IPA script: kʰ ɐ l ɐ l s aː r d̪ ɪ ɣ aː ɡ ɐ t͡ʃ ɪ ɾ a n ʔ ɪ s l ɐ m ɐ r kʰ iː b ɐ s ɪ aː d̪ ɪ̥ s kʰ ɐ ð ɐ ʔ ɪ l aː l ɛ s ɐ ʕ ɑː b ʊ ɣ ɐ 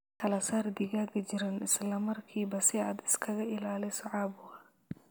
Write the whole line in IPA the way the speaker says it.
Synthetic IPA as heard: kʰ ɐ l ɐ s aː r d̪ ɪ ɣ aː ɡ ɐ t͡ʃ ɪ ɾ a n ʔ ɪ s l ɐ m ɐ r kʰ iː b ɐ s ɪ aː d̪ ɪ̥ s kʰ ɐ ɣ ɐ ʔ ɪ l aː l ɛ s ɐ ʕ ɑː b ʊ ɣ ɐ